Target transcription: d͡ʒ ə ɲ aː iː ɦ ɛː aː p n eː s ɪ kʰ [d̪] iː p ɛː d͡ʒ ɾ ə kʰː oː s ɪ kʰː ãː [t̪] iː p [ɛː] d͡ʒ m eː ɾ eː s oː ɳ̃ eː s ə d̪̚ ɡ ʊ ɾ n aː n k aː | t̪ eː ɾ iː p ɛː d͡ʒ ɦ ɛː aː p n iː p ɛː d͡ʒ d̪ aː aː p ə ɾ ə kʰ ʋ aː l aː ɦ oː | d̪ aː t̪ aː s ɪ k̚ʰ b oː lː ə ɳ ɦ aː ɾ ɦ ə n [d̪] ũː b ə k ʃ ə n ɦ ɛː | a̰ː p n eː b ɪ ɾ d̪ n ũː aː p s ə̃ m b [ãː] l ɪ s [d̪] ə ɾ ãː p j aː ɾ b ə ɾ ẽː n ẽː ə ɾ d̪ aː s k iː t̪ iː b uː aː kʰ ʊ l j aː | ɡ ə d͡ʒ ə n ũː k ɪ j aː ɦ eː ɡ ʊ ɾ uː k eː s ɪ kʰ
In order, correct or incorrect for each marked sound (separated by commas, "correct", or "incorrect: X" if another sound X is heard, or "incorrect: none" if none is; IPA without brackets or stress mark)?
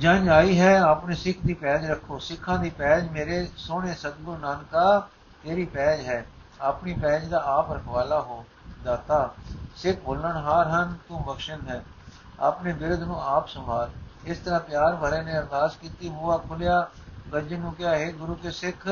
correct, incorrect: d̪, correct, incorrect: t̪, incorrect: aː, incorrect: t̪